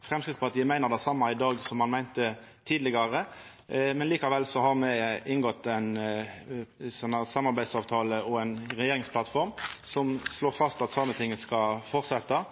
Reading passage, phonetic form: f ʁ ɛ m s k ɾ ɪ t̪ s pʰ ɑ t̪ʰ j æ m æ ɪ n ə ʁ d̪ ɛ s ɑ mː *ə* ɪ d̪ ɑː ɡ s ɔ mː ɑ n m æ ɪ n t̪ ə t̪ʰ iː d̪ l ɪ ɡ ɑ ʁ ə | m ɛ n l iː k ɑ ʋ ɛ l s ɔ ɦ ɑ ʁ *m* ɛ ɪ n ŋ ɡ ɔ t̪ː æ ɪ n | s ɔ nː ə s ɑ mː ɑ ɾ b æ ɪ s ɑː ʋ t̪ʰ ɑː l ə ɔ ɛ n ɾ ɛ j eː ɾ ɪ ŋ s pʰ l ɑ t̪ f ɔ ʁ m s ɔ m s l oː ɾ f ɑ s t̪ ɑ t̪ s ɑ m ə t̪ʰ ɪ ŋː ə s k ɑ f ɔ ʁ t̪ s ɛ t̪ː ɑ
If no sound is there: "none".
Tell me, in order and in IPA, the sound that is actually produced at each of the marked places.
ɑ, m

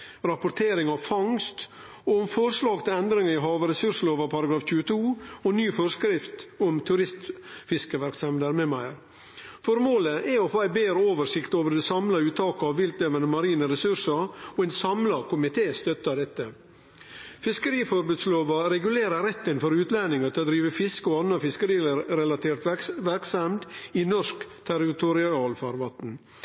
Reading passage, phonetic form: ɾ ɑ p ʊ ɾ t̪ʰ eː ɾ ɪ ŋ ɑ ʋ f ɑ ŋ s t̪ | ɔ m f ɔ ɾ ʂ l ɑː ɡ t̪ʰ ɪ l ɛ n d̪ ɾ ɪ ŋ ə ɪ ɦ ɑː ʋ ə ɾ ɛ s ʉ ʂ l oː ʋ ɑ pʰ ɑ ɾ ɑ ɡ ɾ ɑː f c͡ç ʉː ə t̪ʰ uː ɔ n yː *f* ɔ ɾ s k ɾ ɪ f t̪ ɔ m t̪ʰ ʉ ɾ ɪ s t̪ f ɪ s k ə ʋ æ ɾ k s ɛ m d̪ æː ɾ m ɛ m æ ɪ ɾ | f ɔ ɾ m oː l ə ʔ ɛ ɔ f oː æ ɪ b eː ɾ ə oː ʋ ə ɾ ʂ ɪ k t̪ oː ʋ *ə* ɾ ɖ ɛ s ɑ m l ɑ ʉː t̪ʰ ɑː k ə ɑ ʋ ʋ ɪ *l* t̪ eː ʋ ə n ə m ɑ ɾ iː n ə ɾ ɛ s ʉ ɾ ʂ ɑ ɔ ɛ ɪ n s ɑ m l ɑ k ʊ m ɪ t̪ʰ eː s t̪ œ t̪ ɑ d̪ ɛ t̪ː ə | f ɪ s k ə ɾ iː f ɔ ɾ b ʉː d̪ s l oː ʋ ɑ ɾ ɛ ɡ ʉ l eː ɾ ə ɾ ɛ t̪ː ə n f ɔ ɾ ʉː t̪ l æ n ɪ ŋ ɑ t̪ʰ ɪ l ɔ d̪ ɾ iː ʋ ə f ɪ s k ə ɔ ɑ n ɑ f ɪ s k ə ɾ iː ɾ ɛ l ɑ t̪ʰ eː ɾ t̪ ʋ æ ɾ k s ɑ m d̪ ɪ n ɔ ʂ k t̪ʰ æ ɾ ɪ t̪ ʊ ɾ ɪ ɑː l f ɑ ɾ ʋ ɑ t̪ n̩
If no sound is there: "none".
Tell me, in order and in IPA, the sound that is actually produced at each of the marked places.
f, ə, l

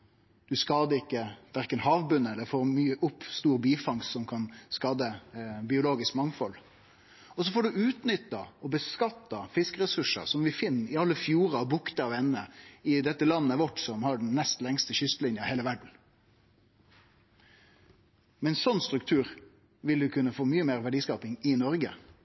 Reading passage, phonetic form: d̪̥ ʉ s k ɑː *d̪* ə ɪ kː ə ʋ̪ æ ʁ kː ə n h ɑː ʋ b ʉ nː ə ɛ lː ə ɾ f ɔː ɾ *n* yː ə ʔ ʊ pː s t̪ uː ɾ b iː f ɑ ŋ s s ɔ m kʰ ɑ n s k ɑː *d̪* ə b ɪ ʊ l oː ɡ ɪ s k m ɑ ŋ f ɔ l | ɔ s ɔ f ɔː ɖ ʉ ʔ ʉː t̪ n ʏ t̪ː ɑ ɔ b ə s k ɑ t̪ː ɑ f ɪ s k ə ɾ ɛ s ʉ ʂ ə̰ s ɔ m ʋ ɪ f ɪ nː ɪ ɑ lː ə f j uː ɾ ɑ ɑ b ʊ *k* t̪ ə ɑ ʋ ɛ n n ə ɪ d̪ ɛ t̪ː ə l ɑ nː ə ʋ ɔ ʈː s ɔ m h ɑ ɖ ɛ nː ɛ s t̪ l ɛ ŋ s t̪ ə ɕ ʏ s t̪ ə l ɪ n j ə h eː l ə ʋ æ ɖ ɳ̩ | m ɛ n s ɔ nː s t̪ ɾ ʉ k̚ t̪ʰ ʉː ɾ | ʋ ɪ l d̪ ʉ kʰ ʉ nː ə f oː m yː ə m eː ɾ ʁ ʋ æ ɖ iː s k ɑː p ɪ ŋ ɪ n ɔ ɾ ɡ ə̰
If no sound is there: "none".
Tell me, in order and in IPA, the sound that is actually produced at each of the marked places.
d̪, m, d̪, k

